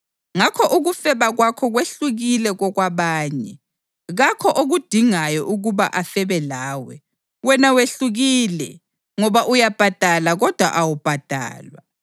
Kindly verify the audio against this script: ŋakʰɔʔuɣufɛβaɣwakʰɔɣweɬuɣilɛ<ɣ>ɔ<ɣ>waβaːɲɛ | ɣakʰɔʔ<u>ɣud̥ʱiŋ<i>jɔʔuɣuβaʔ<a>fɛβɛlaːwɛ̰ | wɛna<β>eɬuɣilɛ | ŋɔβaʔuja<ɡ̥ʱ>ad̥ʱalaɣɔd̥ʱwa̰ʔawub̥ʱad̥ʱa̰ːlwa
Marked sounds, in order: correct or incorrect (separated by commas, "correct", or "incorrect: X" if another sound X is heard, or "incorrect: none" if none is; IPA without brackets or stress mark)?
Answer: correct, correct, incorrect: o, incorrect: a, correct, incorrect: w, incorrect: b̥ʱ